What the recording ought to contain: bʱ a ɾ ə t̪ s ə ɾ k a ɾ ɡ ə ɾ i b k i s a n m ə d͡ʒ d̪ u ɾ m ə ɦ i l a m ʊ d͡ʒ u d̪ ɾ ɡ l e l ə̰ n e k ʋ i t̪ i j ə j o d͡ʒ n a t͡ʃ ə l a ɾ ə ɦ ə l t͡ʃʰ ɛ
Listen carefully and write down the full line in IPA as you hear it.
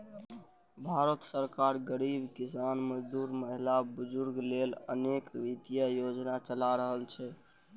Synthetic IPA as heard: bʱ a ɾ ə t̪ s ə ɾ k a ɾ ɡ ə ɾ i b k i s a n m ə d͡ʒ d̪ u ɾ m ə ɦ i l a b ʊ d͡ʒ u ɾ ɡ l e l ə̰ n e k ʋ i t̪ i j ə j o d͡ʒ n a t͡ʃ ə l a ɾ ə ɦ ə l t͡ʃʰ ɛ